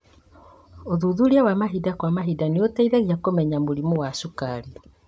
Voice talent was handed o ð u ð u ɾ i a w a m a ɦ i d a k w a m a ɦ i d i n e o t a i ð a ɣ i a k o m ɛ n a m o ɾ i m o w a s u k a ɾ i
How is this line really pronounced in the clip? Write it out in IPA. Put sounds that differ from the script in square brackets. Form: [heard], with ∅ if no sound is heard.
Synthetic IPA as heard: o ð u ð u ɾ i a w a m a ɦ i d a k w a m a ɦ i d [a] n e o t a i ð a ɣ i a k o m ɛ [ɲ] a m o ɾ i m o w a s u k a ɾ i